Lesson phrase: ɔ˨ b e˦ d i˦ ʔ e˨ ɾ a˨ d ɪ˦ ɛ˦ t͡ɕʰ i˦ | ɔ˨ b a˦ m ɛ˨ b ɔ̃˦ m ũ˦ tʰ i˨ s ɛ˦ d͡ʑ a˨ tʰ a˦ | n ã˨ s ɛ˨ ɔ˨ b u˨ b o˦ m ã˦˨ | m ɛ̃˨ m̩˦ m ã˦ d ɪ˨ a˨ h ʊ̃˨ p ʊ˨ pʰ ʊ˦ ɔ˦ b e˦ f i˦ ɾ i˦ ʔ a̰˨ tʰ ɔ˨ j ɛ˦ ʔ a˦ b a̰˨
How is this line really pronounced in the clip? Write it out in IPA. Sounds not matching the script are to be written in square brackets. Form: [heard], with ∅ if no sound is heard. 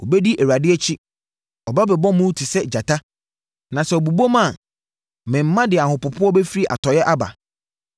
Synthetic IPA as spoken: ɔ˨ b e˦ d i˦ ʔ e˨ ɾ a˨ d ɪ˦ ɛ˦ t͡ɕʰ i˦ | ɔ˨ b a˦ [b] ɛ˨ b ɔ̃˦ m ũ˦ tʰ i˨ s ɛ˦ d͡ʑ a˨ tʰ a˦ | n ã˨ s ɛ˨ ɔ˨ b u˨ b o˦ m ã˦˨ | m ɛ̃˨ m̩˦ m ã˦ d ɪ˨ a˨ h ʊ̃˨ p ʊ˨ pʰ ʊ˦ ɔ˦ b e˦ f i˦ ɾ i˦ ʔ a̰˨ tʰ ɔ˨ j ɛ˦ ʔ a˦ b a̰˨